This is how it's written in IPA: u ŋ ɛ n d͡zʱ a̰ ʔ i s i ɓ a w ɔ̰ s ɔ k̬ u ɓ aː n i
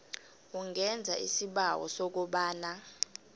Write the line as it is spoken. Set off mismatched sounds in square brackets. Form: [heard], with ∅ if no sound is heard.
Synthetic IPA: u ŋ ɛ n d͡zʱ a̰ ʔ i s i ɓ a w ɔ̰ s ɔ k̬ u ɓ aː n [a]